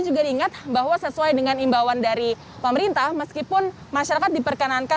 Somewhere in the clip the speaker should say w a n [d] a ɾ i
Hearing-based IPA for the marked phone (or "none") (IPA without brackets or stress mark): d